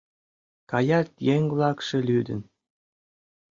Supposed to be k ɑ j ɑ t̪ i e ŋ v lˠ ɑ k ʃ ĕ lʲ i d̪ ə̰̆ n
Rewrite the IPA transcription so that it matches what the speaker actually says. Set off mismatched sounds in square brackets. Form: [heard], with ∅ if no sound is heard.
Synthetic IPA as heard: k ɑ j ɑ t̪ [j] e ŋ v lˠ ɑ k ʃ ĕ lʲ [y] d̪ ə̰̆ n